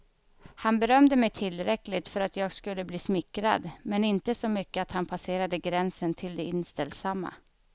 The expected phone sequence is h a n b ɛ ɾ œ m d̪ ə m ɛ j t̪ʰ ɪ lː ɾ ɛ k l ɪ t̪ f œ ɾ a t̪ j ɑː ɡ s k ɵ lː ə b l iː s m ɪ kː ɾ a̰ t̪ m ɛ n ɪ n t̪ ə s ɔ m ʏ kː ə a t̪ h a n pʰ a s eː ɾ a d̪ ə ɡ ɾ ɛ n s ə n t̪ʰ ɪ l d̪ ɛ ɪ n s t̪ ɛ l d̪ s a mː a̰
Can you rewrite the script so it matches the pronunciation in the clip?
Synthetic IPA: h a n b ɛ ɾ œ m d̪ ə m ɛ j t̪ʰ ɪ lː ɾ ɛ k l ɪ t̪ f œ ɾ a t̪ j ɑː ɡ s k ɵ lː ə b l iː s m ɪ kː ɾ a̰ d̪ m ɛ n ɪ n t̪ ə s ɔ m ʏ kː ə a t̪ h a n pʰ a s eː ɾ a d̪ ə ɡ ɾ ɛ n s ə n t̪ʰ ɪ l d̪ ɛ ɪ n s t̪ ɛ l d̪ s a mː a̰